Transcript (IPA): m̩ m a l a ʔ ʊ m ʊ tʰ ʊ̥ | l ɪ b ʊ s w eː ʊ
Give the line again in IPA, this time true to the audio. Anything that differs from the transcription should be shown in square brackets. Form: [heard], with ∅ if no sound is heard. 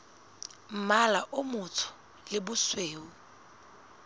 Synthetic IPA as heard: m̩ m a l a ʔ ʊ m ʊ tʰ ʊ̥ | l ɪ b ʊ s w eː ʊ